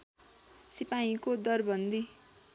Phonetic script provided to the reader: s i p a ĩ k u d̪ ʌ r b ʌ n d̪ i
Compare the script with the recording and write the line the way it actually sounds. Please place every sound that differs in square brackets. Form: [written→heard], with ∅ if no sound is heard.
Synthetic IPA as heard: s i p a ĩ k [u→o] d̪ ʌ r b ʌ n d̪ i